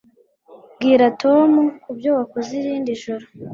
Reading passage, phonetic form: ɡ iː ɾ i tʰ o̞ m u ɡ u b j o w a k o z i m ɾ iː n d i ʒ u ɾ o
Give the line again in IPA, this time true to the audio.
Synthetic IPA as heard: ɡ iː ɾ a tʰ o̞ m u k u b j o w a k o z i ɾ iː n d i ʒ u ɾ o